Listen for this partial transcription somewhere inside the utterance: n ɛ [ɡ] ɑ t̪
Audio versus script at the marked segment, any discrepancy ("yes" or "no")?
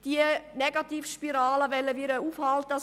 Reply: no